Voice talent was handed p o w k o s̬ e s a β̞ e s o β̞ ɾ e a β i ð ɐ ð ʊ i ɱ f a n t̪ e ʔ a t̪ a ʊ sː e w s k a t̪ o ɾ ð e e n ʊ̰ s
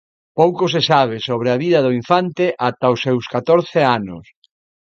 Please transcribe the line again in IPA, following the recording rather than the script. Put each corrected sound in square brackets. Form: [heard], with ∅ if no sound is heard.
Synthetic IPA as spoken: p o w k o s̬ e s a β̞ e s o β̞ ɾ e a β i ð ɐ ð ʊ i ɱ f a n t̪ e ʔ a t̪ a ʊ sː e w s k a t̪ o ɾ [θ] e [a] n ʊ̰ s